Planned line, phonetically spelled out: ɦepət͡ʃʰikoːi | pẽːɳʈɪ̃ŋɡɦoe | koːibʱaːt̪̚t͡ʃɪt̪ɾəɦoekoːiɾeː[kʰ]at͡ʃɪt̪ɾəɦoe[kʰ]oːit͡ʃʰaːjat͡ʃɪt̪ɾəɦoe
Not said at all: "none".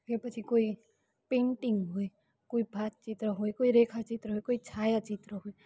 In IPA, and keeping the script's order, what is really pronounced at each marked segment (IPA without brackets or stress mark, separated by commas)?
kʰ, k